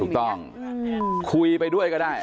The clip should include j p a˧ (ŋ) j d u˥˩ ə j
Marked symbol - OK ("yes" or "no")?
no